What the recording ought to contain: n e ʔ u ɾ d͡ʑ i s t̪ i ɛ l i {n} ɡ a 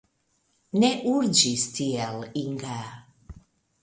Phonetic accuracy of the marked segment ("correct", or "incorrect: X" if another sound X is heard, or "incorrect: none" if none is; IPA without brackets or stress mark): incorrect: ŋ